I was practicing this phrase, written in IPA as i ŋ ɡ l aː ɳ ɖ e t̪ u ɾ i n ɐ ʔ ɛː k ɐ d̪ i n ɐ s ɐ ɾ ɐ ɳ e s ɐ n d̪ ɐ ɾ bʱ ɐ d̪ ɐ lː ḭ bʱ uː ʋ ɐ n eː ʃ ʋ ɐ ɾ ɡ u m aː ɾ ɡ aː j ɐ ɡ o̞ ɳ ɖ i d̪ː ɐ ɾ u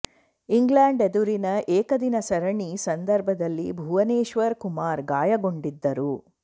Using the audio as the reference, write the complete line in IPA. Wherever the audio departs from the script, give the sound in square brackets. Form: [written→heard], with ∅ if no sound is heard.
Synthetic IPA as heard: i ŋ ɡ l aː ɳ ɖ e [t̪→d̪] u ɾ i n ɐ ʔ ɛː k ɐ d̪ i n ɐ s ɐ ɾ ɐ ɳ [e→i] s ɐ n d̪ ɐ ɾ bʱ ɐ d̪ ɐ lː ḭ bʱ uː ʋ ɐ n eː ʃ ʋ ɐ ɾ [ɡ→k] u m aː ɾ ɡ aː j ɐ ɡ o̞ ɳ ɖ i d̪ː ɐ ɾ u

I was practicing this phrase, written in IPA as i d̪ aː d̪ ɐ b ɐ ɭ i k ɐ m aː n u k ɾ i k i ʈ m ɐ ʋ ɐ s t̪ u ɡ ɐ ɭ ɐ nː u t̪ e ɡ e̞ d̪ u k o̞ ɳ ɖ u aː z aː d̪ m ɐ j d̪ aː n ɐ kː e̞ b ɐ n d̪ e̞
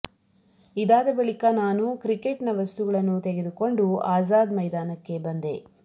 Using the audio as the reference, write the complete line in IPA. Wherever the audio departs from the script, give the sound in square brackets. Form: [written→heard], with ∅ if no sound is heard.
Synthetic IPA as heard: i d̪ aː d̪ ɐ b ɐ ɭ i k ɐ [m→n] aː n u k ɾ i k [i→e] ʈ [m→n] ɐ ʋ ɐ s t̪ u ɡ ɐ ɭ ɐ nː u t̪ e ɡ e̞ d̪ u k o̞ ɳ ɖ u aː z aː d̪ m ɐ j d̪ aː n ɐ kː e̞ b ɐ n d̪ e̞

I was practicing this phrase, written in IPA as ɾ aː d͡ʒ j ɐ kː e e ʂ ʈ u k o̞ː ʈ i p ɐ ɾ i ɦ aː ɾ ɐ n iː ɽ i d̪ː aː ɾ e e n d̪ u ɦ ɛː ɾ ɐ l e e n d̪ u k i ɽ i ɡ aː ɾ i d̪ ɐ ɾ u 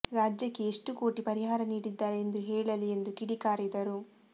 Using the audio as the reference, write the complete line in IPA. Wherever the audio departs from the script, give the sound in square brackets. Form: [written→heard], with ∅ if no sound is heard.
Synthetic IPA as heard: ɾ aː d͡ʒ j ɐ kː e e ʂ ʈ u k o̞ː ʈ i p ɐ ɾ i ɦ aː ɾ ɐ n iː ɽ i d̪ː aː ɾ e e n d̪ u ɦ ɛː [ɾ→ɭ] ɐ l [e→i] e n d̪ u k i ɽ i [ɡ→k] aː ɾ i d̪ ɐ ɾ u

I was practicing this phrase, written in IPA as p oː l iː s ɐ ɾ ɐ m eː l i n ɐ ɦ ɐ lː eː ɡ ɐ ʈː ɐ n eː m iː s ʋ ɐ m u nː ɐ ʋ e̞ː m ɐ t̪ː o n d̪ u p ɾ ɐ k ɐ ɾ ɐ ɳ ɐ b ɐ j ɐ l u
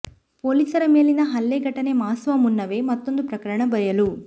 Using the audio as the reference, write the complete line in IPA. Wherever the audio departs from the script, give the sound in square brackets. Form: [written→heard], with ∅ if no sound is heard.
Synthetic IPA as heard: p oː l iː s ɐ ɾ ɐ m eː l i n ɐ ɦ ɐ lː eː ɡ ɐ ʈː ɐ n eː m [iː→aː] s ʋ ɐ m u nː ɐ ʋ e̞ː m ɐ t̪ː o n d̪ u p ɾ ɐ k ɐ ɾ ɐ ɳ ɐ b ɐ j ɐ l u

